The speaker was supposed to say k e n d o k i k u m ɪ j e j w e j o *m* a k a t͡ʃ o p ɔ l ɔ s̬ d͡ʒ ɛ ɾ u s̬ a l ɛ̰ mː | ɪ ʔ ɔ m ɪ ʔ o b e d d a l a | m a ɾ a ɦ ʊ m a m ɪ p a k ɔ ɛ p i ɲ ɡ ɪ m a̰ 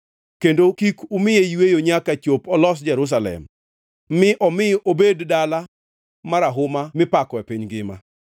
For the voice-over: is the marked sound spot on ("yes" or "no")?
no